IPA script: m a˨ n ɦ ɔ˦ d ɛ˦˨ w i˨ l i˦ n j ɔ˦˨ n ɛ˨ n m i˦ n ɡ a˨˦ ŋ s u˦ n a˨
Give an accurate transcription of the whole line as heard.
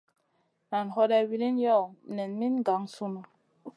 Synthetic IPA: n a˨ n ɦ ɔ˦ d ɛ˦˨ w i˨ l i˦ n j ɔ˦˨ n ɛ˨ n m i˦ n ɡ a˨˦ ŋ s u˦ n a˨